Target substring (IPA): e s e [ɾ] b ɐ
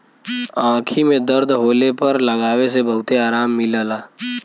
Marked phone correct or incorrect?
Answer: incorrect